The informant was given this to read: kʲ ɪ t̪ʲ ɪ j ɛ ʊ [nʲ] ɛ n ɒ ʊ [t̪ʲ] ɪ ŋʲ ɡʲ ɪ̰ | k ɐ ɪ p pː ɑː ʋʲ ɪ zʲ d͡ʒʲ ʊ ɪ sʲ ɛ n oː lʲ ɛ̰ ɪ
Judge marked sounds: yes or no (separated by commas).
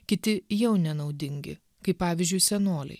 yes, no